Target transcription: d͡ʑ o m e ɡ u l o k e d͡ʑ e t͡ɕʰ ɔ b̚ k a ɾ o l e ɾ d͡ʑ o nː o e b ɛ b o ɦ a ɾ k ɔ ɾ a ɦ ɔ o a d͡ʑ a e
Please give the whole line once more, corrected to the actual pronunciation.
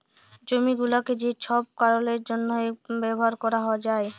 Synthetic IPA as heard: d͡ʑ o m i ɡ u l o k e d͡ʑ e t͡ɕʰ ɔ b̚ k a ɾ o l e ɾ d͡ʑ o nː o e b ɛ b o ɦ a ɾ k ɔ ɾ a ɦ ɔ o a d͡ʑ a e